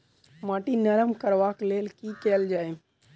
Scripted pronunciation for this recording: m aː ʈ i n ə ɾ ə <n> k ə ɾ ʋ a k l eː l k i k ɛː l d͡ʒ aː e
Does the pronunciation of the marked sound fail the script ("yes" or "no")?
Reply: yes